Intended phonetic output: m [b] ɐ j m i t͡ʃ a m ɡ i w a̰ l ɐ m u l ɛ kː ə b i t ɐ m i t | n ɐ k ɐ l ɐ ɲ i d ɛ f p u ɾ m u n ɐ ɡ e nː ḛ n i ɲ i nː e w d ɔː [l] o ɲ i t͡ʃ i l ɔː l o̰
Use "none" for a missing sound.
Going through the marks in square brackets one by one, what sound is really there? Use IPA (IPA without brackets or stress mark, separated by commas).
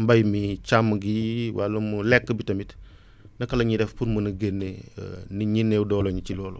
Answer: b, l